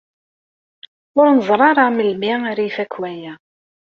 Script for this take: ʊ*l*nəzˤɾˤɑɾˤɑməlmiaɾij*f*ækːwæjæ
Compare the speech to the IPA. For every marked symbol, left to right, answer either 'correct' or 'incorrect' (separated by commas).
incorrect, correct